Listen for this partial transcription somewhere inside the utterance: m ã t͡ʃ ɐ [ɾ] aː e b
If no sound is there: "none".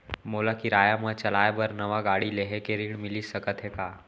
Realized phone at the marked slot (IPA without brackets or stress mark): l